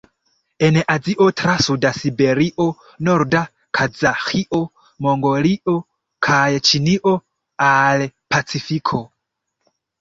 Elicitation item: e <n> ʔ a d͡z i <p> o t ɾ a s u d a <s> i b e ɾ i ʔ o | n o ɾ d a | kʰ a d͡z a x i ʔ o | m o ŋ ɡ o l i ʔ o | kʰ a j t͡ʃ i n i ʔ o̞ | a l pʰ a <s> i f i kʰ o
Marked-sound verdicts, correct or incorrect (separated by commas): correct, incorrect, correct, incorrect